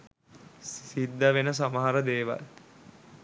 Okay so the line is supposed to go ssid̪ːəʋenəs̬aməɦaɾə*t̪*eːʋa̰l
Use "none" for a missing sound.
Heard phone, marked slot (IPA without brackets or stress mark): d̪